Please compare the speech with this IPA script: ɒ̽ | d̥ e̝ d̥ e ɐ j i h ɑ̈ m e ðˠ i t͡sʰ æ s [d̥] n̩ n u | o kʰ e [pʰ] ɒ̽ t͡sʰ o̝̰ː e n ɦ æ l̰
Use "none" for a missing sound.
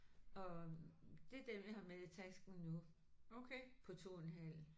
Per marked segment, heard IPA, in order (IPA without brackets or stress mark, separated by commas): ɡ̥, pʰ